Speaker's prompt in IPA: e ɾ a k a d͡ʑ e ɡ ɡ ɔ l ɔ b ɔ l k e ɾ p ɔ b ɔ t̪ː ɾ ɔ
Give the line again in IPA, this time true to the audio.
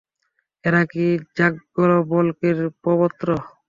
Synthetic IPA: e ɾ a k i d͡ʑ a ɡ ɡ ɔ l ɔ b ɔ l k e ɾ p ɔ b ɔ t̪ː ɾ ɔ